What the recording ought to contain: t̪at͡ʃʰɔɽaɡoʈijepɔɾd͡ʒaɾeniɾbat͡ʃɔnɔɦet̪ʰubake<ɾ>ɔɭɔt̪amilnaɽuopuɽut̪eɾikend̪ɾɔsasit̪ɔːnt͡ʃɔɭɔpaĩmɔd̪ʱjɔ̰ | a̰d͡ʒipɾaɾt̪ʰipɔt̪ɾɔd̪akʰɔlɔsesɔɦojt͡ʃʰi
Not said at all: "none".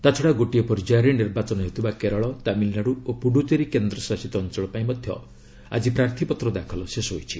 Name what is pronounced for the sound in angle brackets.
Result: ɾ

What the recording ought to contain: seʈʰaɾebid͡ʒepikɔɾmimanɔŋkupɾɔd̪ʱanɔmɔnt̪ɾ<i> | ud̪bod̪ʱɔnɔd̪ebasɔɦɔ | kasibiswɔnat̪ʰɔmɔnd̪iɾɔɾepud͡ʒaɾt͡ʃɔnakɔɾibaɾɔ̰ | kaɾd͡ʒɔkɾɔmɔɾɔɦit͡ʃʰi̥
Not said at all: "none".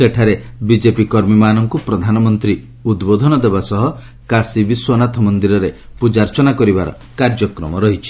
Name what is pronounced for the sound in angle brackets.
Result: i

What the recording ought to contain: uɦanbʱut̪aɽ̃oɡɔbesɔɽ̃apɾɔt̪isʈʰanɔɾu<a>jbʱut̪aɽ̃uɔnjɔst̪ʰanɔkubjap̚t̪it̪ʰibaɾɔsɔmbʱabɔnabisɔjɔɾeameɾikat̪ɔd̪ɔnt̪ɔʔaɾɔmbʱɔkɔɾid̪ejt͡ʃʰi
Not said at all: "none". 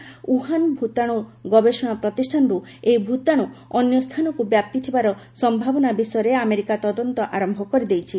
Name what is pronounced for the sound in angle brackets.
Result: e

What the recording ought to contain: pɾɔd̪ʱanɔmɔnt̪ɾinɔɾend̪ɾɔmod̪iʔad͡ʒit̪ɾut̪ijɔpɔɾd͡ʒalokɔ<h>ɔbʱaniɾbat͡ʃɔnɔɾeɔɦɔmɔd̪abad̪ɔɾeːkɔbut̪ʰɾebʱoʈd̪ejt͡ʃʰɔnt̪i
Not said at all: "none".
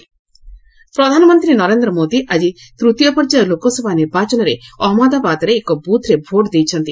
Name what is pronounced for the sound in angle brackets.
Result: s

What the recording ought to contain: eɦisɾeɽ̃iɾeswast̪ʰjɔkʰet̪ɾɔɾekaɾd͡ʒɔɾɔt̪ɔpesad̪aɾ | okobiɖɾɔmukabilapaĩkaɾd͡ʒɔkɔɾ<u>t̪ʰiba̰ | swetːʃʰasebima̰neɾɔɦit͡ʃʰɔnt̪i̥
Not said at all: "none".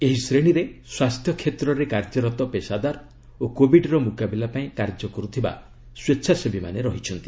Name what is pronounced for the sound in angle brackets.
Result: u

